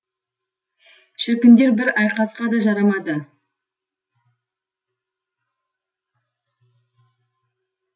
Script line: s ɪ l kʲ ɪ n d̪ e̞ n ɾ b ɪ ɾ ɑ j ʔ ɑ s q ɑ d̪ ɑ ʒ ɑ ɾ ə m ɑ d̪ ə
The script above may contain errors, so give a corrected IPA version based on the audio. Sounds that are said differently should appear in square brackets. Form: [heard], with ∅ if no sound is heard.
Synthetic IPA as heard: [ʃ] ɪ [ɾ] kʲ ɪ n d̪ e̞ [∅] ɾ b ɪ ɾ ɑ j [q] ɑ s q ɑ d̪ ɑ ʒ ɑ ɾ [ɑ] m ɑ d̪ ə